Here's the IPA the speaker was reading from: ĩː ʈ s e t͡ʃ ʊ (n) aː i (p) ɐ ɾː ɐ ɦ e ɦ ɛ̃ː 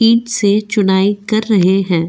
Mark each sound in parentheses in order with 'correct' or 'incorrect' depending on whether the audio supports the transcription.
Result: correct, incorrect

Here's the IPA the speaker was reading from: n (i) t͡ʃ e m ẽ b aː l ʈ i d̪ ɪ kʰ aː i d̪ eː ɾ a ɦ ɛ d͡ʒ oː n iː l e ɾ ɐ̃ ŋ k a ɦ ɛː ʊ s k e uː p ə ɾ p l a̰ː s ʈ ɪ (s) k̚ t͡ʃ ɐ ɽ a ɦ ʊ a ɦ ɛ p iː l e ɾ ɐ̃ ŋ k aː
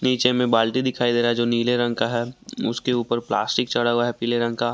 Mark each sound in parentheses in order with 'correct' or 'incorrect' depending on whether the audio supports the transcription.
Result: incorrect, incorrect

